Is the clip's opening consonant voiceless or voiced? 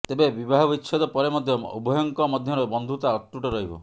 voiceless